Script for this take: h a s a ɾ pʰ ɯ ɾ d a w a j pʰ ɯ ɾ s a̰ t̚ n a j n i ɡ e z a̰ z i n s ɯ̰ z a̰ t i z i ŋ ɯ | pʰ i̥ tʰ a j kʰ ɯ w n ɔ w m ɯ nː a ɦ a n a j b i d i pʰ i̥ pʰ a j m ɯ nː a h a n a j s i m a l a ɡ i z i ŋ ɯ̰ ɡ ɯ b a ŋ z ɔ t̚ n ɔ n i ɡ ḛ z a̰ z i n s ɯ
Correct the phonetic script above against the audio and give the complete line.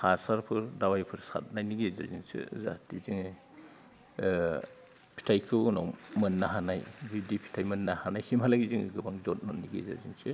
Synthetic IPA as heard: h a s a ɾ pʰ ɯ ɾ d a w a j pʰ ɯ ɾ s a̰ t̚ n a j n i ɡ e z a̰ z i n s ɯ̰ z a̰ t i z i ŋ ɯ | pʰ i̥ tʰ a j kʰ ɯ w n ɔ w m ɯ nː a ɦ a n a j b i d i pʰ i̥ tʰ a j m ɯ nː a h a n a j s i m a l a ɡ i z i ŋ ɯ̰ ɡ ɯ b a ŋ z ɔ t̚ n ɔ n i ɡ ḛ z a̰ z i n s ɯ